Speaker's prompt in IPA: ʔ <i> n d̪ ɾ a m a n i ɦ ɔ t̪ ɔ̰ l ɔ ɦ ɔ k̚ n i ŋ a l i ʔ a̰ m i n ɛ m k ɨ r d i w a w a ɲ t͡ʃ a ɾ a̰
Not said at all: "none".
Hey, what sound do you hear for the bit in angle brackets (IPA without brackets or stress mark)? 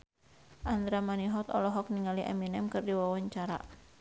a